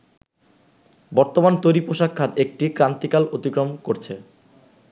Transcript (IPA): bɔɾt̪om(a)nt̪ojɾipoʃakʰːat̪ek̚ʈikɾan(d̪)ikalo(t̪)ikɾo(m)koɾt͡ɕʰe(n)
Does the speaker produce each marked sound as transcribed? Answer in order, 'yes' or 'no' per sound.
yes, no, yes, yes, no

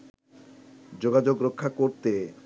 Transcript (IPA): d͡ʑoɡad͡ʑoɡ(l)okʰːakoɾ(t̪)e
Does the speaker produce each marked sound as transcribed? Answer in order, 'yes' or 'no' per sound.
no, yes

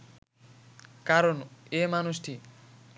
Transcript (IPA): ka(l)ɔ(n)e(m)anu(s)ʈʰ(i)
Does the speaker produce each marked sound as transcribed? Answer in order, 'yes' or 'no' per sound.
no, yes, yes, yes, yes

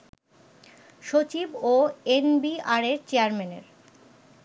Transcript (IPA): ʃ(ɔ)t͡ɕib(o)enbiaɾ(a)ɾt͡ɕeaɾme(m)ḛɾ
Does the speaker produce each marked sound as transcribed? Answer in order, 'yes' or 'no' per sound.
no, yes, no, no

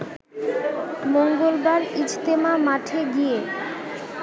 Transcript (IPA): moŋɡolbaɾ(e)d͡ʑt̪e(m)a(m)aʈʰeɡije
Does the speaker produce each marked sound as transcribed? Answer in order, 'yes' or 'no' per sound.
no, yes, yes

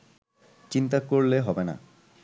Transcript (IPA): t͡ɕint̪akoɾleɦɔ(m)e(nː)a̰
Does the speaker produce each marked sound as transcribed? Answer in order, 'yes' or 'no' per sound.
no, no

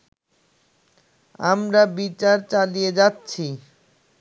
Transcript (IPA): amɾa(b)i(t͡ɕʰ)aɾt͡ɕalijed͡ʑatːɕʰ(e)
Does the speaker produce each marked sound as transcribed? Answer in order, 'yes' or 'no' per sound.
yes, no, no

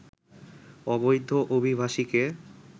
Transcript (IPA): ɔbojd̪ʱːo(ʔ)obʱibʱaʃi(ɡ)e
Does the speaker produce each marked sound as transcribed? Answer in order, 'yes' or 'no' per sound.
yes, no

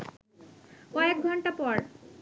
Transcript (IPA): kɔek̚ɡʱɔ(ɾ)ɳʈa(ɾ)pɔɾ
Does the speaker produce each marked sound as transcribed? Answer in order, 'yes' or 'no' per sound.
no, no

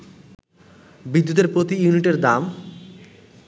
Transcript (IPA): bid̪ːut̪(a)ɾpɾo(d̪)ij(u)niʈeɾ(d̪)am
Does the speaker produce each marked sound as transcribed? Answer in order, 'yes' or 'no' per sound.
no, no, yes, yes

